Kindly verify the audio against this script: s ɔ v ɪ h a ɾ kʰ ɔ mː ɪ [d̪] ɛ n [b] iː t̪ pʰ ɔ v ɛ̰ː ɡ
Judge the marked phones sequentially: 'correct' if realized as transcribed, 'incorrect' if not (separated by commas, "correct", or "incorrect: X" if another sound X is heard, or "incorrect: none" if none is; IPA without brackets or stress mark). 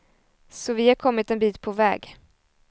incorrect: t̪, correct